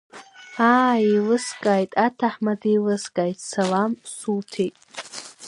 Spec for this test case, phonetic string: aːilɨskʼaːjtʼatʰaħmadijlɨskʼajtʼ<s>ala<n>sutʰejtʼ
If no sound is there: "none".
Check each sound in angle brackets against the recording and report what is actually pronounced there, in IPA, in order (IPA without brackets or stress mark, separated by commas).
s, m